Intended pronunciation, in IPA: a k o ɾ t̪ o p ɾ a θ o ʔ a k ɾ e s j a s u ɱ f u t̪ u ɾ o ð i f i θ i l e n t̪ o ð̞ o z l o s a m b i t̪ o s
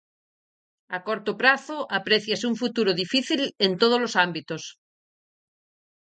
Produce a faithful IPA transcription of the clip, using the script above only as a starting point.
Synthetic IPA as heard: a k o ɾ t̪ o p ɾ a θ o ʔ a p ɾ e θ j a s u ɱ f u t̪ u ɾ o ð i f i θ i l e n t̪ o ð̞ o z l o s a m b i t̪ o s